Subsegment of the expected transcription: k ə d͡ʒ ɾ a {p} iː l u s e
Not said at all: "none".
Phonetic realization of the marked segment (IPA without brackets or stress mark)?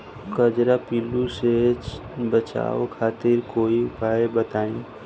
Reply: p